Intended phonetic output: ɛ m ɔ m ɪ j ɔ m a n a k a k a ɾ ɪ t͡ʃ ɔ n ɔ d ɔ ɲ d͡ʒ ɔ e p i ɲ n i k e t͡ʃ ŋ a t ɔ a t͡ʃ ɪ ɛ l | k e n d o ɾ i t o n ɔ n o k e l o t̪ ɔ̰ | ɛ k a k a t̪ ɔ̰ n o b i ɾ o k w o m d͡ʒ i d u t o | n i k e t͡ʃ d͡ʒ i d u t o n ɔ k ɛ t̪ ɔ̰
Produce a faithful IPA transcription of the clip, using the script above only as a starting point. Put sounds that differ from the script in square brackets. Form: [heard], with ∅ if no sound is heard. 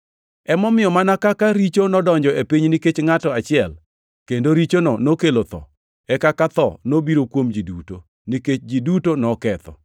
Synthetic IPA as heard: ɛ m ɔ m ɪ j ɔ m a n a k a k a ɾ [i] t͡ʃ [o] n ɔ d ɔ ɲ d͡ʒ ɔ e p i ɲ n i k e t͡ʃ ŋ a t ɔ a t͡ʃ ɪ ɛ l | k e n d o ɾ i [t͡ʃ] o n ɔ n o k e l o t̪ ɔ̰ | ɛ k a k a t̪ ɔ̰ n o b i ɾ o k w o m d͡ʒ i d u t o | n i k e t͡ʃ d͡ʒ i d u t o n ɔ k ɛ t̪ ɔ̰

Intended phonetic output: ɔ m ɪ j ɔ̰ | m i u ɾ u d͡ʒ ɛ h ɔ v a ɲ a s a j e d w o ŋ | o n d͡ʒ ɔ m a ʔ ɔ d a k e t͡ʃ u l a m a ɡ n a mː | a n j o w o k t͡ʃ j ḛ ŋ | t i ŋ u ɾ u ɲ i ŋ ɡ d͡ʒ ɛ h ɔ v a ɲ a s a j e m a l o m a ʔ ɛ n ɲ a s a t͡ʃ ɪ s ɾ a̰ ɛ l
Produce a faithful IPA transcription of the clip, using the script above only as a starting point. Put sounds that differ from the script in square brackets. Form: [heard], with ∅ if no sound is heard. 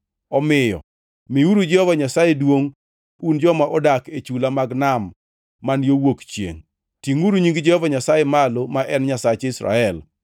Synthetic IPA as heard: ɔ m ɪ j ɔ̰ | m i u ɾ u d͡ʒ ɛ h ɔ v a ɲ a s a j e d w o ŋ | [u] n d͡ʒ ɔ m a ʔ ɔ d a k e t͡ʃ u l a m a ɡ n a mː | a n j o w o k t͡ʃ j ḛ ŋ | t i ŋ u ɾ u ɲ i ŋ ɡ d͡ʒ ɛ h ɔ v a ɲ a s a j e m a l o m a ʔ ɛ n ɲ a s a t͡ʃ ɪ s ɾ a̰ ɛ l

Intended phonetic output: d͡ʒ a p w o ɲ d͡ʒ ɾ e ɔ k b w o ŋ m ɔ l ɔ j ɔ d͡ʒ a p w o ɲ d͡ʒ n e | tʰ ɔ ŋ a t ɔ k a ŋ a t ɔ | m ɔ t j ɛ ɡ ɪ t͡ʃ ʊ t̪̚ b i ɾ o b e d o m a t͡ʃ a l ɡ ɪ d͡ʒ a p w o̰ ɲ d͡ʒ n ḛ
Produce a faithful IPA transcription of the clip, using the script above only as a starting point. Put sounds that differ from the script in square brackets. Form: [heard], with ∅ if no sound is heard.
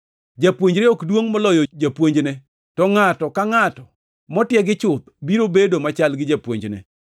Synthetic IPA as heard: d͡ʒ a p w o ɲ d͡ʒ ɾ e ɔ k [d] w o ŋ m ɔ l ɔ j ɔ d͡ʒ a p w o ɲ d͡ʒ n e | [t] ɔ ŋ a t ɔ k a ŋ a t ɔ | m ɔ t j ɛ ɡ ɪ t͡ʃ ʊ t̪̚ b i ɾ o b e d o m a t͡ʃ a l ɡ ɪ d͡ʒ a p w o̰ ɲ d͡ʒ n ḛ

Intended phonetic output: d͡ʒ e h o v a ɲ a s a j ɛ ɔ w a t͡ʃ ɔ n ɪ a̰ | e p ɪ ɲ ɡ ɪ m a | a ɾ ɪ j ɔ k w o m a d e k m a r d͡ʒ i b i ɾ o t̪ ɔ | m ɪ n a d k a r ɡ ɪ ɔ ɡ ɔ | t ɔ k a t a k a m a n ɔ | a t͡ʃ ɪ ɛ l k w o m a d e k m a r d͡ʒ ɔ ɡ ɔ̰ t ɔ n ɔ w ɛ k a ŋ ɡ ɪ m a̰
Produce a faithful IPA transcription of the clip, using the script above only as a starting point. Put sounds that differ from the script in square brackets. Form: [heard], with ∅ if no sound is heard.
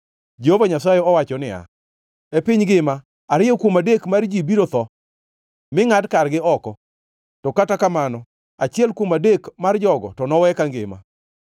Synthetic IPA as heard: d͡ʒ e h o v a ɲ a s a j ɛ ɔ w a t͡ʃ ɔ n ɪ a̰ | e p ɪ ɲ ɡ ɪ m a | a ɾ ɪ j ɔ k w o m a d e k m a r d͡ʒ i b i ɾ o t̪ ɔ | m ɪ [ŋ] a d k a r ɡ ɪ ɔ [k] ɔ | t ɔ k a t a k a m a n ɔ | a t͡ʃ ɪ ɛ l k w o m a d e k m a r d͡ʒ ɔ ɡ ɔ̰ t ɔ n ɔ w ɛ k a ŋ ɡ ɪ m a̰

